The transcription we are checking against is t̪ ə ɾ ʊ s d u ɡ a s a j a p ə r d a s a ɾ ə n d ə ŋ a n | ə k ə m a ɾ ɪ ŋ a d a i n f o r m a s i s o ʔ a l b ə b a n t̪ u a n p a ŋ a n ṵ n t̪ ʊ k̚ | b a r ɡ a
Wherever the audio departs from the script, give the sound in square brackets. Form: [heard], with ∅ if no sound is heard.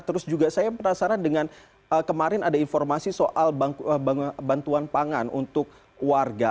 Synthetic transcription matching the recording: t̪ ə ɾ ʊ s [d͡ʒ] u ɡ a s a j a p ə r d a s a ɾ [a] n d ə ŋ a n | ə k ə m a ɾ ɪ [n] a d a i n f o r m a s i s o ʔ a l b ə b a n t̪ u a n p a ŋ a n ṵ n t̪ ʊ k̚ | [w] a r ɡ a